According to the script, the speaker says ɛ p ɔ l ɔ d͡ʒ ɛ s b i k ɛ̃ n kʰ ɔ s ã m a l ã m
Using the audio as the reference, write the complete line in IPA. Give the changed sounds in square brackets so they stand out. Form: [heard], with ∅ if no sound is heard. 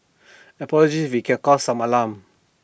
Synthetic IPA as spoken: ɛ p ɔ l ɔ d͡ʒ [i] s [w] i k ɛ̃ n [k] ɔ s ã m a l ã m